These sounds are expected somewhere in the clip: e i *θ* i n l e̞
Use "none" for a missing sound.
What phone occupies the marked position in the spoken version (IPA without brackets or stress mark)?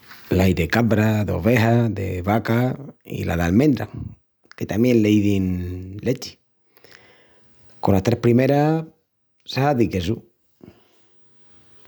ð